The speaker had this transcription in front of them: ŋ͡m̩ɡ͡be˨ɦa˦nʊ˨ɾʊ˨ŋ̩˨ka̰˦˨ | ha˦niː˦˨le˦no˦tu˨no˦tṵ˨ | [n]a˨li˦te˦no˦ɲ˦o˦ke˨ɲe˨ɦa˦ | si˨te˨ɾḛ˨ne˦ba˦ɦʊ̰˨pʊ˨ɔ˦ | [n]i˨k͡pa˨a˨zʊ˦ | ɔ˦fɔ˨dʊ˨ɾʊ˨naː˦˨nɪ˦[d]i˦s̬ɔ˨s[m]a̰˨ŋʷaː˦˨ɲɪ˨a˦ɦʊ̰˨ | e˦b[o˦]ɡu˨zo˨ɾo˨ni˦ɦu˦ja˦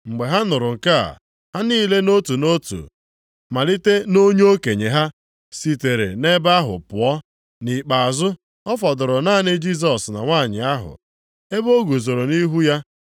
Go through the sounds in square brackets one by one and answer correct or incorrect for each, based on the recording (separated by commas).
incorrect, correct, incorrect, incorrect, correct